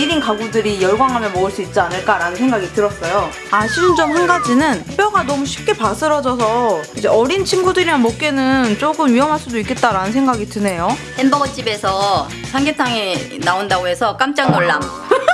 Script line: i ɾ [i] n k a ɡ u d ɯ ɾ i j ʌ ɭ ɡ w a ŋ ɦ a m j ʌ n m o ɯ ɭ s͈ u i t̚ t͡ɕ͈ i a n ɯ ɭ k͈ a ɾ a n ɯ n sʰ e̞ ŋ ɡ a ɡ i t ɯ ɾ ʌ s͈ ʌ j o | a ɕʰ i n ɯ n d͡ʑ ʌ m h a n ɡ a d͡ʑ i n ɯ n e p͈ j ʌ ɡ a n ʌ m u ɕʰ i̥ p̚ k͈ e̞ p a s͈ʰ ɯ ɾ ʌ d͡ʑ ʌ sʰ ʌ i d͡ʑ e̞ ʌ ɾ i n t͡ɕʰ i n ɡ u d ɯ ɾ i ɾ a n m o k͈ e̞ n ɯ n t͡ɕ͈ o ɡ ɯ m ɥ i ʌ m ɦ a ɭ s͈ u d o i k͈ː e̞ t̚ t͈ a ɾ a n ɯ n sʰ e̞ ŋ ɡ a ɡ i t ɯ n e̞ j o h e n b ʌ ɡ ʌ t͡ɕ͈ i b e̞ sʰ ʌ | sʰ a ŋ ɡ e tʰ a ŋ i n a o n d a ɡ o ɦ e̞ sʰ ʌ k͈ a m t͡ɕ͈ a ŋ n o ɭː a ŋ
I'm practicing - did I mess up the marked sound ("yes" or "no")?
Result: no